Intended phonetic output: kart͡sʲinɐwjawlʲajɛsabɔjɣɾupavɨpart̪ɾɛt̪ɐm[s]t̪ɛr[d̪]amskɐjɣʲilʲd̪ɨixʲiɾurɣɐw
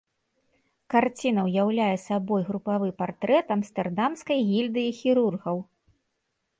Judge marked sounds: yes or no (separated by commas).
yes, yes